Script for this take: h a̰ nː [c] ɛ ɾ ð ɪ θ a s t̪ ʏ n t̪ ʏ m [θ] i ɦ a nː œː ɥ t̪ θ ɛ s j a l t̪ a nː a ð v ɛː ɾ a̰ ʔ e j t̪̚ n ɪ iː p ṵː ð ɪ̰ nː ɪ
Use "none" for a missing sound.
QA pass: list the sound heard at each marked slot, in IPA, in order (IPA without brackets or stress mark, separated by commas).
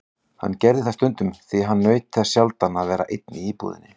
c, θ